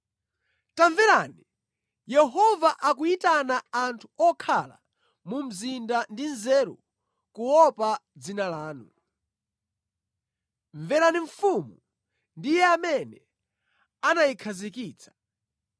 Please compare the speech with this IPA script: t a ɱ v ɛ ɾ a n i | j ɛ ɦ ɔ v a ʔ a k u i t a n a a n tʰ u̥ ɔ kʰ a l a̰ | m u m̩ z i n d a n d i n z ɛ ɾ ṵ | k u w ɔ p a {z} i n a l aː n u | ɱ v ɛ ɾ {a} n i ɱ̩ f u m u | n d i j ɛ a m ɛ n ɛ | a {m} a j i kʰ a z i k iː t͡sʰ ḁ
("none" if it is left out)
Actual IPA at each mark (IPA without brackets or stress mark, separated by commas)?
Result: d͡z, a, n